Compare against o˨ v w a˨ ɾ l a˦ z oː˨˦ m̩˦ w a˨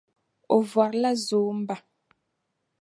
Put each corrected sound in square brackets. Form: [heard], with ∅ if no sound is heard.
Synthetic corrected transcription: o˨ v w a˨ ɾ l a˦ z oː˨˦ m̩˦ [b] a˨